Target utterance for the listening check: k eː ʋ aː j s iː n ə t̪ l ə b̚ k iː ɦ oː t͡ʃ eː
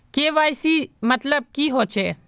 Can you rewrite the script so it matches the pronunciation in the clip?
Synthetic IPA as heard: k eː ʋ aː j s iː m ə t̪ l ə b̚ k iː ɦ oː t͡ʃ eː